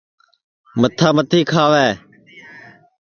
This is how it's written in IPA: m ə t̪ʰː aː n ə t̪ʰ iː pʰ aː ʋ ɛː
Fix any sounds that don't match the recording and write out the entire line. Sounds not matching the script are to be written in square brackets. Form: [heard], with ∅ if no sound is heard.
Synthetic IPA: m ə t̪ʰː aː [m] ə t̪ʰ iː [kʰ] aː ʋ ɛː